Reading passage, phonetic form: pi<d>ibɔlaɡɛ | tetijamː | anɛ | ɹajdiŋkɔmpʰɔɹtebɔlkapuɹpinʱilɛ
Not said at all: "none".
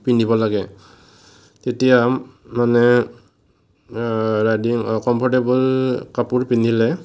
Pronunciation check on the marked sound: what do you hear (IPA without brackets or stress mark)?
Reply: n